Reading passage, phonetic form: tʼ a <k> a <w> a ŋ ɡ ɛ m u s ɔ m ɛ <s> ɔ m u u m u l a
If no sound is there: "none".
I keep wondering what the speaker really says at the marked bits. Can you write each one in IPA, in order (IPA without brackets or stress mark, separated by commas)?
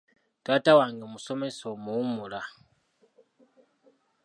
t, w, s